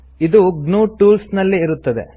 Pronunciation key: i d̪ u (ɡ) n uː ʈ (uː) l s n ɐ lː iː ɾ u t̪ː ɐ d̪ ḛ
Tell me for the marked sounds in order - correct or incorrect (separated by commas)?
correct, correct